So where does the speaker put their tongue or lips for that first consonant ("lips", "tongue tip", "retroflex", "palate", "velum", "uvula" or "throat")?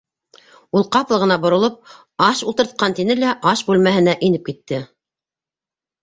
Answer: tongue tip